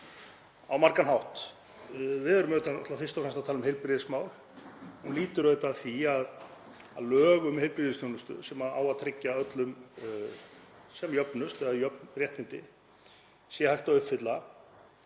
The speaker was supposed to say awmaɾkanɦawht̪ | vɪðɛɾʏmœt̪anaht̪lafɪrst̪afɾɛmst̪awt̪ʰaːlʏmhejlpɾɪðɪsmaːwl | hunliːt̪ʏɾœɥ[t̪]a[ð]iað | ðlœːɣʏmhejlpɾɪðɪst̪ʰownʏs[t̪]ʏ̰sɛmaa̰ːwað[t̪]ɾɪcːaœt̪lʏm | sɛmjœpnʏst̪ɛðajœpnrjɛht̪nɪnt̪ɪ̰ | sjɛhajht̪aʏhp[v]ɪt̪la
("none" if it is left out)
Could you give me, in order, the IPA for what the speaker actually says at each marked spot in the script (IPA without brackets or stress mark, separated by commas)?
t̪, θ, t̪, t̪ʰ, f